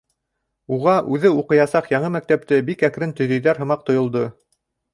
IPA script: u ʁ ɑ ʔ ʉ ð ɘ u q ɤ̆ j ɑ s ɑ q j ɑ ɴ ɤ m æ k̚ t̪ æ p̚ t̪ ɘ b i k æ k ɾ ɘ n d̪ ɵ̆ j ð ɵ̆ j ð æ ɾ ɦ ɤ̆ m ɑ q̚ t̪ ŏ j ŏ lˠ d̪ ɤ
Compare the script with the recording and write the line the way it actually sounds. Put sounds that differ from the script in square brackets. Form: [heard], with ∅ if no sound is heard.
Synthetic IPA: u ʁ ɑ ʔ ʉ ð ɘ u q ɤ̆ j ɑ s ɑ q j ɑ ɴ ɤ m æ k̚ t̪ æ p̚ t̪ ɘ b i k æ k ɾ ɘ n [t̪] ɵ̆ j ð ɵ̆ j ð æ ɾ ɦ ɤ̆ m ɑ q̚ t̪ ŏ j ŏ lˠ d̪ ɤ